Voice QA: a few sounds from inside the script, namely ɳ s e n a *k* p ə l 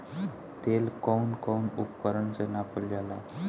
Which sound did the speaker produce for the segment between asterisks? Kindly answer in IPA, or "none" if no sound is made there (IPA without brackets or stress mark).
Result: none